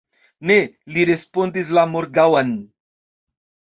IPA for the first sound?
n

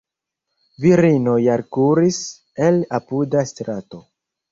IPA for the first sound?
v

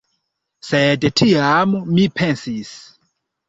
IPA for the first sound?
s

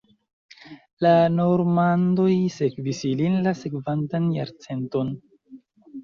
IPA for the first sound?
l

